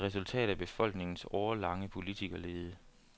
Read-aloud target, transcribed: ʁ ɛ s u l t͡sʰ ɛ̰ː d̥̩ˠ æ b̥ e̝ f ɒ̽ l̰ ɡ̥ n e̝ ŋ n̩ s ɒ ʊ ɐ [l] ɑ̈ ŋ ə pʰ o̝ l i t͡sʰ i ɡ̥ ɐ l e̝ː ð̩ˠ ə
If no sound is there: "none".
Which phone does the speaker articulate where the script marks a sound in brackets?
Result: l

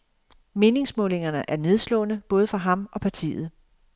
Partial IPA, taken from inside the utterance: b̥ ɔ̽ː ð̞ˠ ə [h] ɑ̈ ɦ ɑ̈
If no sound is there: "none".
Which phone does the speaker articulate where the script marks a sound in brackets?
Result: f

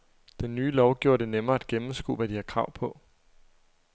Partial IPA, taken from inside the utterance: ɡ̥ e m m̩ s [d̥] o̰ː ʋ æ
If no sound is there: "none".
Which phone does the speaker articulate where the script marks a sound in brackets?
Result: ɡ̥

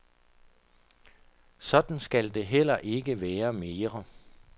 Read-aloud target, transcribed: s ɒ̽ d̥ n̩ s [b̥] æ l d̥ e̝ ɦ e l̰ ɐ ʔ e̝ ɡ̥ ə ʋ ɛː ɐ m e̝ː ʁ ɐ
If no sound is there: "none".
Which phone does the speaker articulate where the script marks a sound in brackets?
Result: ɡ̥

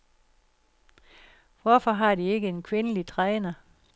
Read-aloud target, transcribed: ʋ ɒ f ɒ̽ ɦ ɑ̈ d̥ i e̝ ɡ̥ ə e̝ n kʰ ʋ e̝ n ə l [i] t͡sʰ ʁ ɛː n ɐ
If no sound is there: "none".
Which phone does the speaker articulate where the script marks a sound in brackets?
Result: i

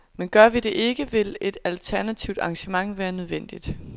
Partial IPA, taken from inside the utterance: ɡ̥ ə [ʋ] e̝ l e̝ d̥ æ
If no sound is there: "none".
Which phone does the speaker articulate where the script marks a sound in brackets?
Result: ʋ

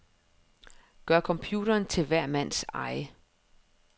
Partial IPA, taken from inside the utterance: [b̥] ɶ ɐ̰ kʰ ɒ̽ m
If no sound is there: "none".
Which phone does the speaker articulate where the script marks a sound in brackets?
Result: ɡ̥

